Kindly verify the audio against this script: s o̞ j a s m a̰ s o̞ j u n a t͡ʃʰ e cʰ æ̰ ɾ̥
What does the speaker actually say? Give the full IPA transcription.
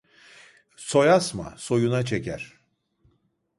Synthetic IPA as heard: s o̞ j a s m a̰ s o̞ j u n a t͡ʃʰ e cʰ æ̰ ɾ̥